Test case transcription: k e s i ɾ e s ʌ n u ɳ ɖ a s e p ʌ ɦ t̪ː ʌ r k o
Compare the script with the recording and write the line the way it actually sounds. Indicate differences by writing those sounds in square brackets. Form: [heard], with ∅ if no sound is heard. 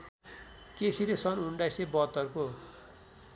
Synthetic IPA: k e s i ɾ e s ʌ n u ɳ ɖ a s e [b] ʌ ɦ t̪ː ʌ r k o